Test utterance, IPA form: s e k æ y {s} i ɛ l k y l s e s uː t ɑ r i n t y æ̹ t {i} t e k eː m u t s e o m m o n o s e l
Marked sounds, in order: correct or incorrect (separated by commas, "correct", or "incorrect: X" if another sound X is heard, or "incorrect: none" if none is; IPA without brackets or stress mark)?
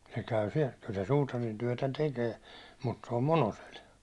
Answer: correct, incorrect: æ